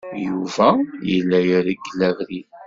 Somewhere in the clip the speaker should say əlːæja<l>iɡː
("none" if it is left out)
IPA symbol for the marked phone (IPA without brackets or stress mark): ɾ